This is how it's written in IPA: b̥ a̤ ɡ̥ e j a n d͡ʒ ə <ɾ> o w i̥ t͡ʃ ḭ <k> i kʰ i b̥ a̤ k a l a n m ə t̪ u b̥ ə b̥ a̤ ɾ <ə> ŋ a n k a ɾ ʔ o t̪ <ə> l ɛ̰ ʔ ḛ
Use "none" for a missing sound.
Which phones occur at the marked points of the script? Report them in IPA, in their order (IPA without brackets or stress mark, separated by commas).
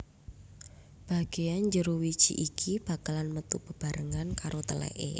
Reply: ɾ, ʔ, ə, ə